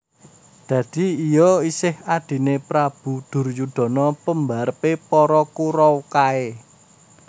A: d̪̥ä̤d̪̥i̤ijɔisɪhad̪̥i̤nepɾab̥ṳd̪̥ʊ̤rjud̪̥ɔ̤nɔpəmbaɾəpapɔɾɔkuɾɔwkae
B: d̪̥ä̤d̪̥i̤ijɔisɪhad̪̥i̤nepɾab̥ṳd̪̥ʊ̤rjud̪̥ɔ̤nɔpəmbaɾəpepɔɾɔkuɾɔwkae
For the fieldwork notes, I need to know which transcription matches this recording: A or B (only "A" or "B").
B